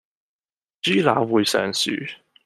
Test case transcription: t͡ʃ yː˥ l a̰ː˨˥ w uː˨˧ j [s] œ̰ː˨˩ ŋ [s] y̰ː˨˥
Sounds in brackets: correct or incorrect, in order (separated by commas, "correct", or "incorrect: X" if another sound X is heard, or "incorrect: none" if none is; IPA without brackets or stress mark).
correct, correct